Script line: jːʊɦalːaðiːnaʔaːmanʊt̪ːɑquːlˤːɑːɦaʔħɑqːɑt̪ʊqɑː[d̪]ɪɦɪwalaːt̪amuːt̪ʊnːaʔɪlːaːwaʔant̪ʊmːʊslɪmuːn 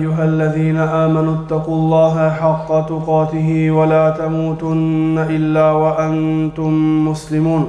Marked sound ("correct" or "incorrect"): incorrect